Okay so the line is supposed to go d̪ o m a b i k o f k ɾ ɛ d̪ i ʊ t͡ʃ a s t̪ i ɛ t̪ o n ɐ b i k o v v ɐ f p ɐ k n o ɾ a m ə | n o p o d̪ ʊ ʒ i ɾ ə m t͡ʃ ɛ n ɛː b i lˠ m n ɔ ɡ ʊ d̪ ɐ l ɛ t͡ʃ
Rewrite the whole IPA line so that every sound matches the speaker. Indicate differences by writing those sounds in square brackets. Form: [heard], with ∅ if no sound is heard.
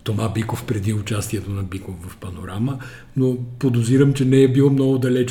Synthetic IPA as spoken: [t̪] o m a b i k o f [p] ɾ ɛ d̪ i ʊ t͡ʃ a s t̪ i ɛ t̪ o n ɐ b i k o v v ɐ f p ɐ [∅] n o ɾ a m ə | n o p o d̪ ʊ [z] i ɾ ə m t͡ʃ ɛ n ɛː b i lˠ m n ɔ ɡ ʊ d̪ ɐ l ɛ t͡ʃ